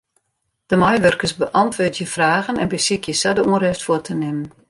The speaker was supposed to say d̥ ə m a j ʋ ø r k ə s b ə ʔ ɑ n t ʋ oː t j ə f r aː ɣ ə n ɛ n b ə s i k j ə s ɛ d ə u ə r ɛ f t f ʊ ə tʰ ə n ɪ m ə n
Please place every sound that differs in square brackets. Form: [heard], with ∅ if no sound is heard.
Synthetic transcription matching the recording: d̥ ə m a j ʋ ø r k ə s b ə ʔ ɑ n t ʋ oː t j ə f r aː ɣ ə n ɛ n b ə s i k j ə s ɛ d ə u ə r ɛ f t f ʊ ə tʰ ə n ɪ m ə n